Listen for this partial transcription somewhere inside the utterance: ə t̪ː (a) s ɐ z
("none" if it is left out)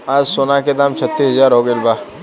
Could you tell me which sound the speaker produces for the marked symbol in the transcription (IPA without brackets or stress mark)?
i